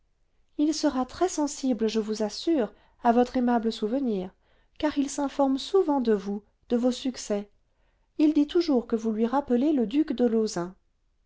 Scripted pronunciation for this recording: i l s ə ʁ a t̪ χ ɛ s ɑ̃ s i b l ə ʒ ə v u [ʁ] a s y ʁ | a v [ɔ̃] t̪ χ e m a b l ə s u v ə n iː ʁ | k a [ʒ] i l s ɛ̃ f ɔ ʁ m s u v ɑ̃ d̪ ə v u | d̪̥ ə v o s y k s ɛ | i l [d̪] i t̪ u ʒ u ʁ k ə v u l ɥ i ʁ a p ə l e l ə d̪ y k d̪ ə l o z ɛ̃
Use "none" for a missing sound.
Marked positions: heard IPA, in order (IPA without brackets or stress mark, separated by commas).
z, ɔ, ʁ, d̪